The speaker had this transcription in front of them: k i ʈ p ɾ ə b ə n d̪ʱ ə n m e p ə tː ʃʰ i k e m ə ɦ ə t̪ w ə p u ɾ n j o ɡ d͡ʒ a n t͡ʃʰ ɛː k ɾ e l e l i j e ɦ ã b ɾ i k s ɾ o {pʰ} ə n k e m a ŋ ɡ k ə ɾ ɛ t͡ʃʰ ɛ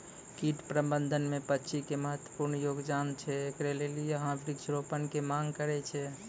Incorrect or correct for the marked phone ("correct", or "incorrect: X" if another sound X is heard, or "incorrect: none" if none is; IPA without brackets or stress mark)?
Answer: incorrect: p